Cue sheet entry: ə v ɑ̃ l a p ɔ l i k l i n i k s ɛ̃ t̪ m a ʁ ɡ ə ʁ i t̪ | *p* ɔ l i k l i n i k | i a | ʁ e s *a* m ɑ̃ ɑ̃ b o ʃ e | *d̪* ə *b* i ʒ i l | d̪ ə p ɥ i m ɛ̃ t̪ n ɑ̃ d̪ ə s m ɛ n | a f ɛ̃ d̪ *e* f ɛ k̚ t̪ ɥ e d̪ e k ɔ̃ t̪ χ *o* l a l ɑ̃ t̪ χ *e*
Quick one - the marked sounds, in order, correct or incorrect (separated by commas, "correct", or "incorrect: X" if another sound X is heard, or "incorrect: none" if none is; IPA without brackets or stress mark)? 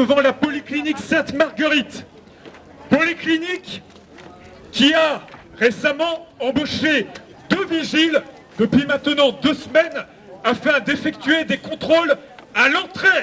correct, correct, correct, incorrect: v, correct, correct, correct